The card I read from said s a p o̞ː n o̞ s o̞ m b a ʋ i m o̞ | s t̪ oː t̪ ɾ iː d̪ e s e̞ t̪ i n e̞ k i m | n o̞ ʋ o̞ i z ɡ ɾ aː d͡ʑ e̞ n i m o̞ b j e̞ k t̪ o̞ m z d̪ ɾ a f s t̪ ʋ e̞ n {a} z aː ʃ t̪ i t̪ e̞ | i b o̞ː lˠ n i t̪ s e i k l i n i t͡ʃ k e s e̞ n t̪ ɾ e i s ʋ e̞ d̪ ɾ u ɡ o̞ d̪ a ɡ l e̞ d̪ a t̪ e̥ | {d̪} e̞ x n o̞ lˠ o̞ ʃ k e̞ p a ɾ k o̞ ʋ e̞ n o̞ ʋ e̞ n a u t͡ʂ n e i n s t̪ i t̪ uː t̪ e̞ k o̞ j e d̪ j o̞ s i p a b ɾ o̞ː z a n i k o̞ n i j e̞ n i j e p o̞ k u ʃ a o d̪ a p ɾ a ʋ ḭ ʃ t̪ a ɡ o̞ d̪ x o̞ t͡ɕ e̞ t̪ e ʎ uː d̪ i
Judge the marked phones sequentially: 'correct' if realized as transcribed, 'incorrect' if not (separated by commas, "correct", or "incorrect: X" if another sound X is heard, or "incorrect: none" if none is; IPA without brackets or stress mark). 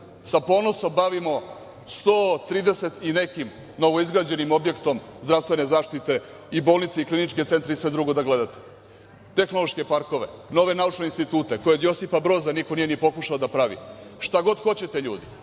incorrect: e, incorrect: t̪